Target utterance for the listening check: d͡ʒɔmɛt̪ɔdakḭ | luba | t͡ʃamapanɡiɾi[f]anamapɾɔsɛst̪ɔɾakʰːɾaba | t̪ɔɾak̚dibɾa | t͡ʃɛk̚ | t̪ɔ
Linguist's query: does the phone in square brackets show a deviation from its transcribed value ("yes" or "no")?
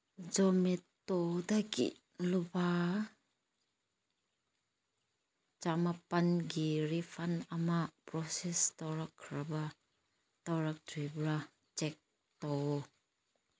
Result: no